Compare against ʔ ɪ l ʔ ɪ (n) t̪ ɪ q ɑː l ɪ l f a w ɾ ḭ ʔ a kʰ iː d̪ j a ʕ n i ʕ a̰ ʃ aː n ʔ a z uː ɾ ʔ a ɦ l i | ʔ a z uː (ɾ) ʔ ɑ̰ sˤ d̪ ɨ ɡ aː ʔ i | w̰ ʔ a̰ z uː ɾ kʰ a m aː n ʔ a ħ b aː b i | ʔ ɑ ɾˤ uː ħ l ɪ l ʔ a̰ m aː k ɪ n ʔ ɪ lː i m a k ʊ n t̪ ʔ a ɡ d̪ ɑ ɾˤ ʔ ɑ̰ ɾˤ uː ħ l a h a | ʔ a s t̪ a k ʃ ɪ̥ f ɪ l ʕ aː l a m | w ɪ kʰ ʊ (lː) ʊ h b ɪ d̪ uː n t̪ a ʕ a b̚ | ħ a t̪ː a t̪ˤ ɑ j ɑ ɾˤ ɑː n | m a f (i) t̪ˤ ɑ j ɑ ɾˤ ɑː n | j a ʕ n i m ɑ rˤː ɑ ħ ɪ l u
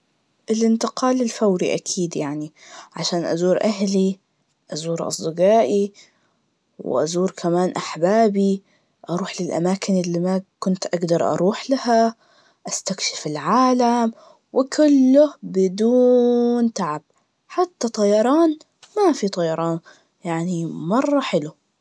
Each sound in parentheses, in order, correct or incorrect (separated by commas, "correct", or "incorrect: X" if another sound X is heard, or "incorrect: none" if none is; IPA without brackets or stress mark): correct, correct, correct, correct